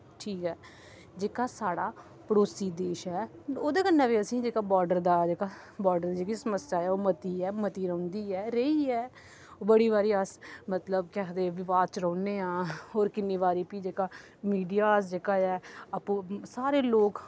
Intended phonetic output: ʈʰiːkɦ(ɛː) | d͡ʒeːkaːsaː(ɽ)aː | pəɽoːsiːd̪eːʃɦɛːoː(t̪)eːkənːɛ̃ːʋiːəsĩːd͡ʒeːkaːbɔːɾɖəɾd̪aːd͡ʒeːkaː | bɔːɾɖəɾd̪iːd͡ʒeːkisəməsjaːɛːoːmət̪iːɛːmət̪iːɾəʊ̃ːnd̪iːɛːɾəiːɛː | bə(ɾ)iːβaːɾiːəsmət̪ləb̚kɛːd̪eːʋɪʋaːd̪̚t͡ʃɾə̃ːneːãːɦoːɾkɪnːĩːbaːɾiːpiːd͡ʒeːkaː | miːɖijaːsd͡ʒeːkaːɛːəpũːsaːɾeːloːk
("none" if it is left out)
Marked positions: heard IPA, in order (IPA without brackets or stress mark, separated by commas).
ɛː, ɽ, d̪, ɽ